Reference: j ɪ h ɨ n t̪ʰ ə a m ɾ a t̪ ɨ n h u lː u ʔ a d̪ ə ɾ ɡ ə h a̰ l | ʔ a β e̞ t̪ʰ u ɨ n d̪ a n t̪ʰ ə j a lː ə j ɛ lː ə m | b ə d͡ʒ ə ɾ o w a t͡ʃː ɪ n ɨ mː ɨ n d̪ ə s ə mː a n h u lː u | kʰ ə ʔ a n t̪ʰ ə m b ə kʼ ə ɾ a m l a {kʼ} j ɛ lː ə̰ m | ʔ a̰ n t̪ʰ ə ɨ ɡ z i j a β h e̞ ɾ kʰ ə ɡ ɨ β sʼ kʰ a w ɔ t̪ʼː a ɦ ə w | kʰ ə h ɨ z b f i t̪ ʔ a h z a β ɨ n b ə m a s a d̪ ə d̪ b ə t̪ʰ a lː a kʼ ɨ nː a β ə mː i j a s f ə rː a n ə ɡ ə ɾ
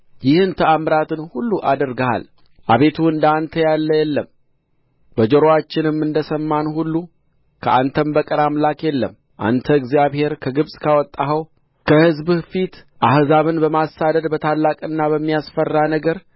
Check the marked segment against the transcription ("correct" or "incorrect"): incorrect